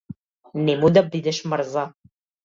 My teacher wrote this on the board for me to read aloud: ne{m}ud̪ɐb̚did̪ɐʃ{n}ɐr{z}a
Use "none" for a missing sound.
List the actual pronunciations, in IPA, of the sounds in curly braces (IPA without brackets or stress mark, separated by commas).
m, m, z